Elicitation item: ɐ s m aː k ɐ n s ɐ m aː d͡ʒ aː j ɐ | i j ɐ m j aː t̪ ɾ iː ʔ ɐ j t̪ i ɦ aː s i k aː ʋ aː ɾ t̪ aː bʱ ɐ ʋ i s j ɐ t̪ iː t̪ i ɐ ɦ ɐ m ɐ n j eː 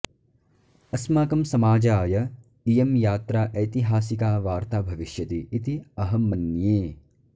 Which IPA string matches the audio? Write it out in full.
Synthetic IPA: ɐ s m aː k ɐ m s ɐ m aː d͡ʒ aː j ɐ | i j ɐ m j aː t̪ ɾ aː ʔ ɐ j t̪ i ɦ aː s i k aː ʋ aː ɾ t̪ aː bʱ ɐ ʋ i ʃ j ɐ t̪ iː t̪ i ɐ ɦ ɐ m ɐ n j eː